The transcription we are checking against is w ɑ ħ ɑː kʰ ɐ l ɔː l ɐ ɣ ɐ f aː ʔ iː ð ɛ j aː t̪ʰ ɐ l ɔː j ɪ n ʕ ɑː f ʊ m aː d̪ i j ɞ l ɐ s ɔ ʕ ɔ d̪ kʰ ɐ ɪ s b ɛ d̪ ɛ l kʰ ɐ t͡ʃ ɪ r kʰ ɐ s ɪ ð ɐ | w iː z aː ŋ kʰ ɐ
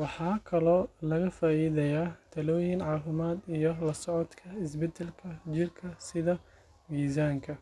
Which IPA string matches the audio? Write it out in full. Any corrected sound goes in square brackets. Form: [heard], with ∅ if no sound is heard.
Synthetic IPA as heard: w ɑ ħ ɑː kʰ ɐ l ɔː l ɐ ɣ ɐ f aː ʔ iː ð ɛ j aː t̪ʰ ɐ l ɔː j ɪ n ʕ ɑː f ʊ m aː d̪ i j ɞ l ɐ s ɔ ʕ ɔ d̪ kʰ ɐ ɪ s b ɛ d̪ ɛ l kʰ ɐ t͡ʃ ɪ r kʰ ɐ s ɪ ð ɐ | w iː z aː ŋ kʰ ɐ